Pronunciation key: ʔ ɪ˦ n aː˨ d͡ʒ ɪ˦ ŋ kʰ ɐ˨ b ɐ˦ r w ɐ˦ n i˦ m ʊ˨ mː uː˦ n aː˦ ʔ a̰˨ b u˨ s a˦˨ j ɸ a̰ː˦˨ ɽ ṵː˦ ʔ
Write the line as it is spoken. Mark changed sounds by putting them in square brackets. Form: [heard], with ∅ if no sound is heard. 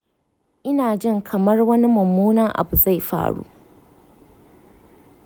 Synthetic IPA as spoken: ʔ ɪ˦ n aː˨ d͡ʒ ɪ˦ ŋ kʰ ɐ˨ [m] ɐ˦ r w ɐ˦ n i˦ m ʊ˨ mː uː˦ n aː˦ ʔ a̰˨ b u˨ [z] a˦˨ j ɸ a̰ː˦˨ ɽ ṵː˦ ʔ